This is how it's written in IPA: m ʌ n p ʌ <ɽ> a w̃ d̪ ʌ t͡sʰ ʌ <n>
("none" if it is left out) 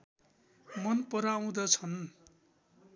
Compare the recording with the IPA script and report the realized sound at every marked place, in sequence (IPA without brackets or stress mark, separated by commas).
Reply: ɾ, n